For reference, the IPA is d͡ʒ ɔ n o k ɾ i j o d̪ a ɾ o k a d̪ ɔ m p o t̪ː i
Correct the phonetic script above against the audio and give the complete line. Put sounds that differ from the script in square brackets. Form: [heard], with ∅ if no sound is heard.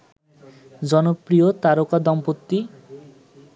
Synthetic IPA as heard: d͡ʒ ɔ n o [p] ɾ i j o [t̪] a ɾ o k a d̪ ɔ m p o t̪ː i